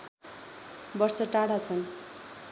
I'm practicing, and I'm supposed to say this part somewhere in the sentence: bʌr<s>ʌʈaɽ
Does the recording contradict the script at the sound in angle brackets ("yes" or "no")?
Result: no